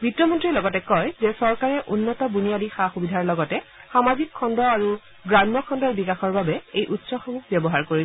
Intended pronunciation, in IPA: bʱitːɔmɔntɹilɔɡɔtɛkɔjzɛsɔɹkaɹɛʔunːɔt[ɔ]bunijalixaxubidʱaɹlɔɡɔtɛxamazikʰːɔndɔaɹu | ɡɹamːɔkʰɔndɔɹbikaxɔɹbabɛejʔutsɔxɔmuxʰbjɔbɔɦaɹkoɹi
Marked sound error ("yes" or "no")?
no